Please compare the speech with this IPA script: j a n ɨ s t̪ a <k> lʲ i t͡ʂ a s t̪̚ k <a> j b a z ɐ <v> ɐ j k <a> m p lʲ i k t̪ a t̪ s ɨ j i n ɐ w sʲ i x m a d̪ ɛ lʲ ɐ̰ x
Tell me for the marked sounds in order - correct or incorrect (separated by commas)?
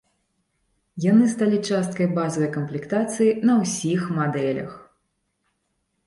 incorrect, incorrect, correct, incorrect